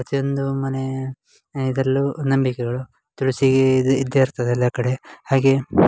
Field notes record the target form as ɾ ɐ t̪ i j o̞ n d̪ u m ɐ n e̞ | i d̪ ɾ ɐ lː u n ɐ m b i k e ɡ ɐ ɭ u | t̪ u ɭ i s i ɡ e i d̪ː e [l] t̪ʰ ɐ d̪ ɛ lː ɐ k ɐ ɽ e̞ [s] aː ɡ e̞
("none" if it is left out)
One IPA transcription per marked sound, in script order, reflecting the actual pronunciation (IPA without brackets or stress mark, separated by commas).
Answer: ɾ, h